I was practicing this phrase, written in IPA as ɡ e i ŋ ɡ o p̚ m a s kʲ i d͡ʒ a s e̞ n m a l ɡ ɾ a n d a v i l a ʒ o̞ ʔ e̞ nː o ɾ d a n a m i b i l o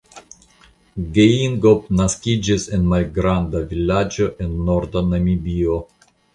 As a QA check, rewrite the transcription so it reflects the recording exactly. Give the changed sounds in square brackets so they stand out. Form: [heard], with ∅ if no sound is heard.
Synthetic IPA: ɡ e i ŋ ɡ o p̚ [n] a s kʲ i d͡ʒ [i] s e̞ n m a l ɡ ɾ a n d a v i l a [d͡ʒ] o̞ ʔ e̞ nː o ɾ d a n a m i b i [∅] o